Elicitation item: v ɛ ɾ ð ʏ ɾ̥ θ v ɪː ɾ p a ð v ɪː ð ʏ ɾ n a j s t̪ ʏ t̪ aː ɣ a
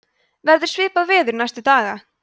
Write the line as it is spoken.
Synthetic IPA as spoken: v ɛ ɾ ð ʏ ɾ̥ s v ɪː p a ð v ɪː ð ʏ ɾ n a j s t̪ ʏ t̪ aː ɣ a